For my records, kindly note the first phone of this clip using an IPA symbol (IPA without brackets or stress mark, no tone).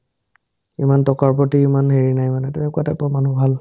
i